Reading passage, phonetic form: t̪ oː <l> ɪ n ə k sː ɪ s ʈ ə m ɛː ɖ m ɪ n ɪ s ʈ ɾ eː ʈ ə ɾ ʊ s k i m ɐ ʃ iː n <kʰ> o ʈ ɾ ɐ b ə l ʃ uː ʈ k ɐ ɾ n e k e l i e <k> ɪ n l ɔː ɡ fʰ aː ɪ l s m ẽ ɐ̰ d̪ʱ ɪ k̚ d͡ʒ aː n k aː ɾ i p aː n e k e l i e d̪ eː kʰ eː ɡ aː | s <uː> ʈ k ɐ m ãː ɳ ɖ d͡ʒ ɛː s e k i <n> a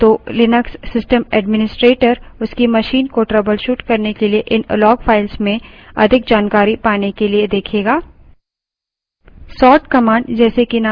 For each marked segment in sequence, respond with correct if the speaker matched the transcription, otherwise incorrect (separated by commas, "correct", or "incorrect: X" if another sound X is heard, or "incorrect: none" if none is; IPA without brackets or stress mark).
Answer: correct, incorrect: k, incorrect: ʔ, incorrect: ɔː, correct